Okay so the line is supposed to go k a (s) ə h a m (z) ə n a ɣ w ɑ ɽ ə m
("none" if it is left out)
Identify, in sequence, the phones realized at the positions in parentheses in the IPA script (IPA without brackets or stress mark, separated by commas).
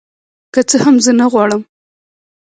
t͡s, z